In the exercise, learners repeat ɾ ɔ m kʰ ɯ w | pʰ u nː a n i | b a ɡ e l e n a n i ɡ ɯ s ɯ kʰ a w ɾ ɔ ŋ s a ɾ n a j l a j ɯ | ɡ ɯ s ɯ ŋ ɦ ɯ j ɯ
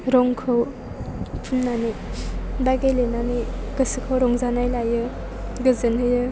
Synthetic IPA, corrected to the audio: ɾ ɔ ŋ kʰ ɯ w | pʰ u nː a n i | b a ɡ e l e n a n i ɡ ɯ s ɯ kʰ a w ɾ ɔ ŋ z a n a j l a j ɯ | ɡ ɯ z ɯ n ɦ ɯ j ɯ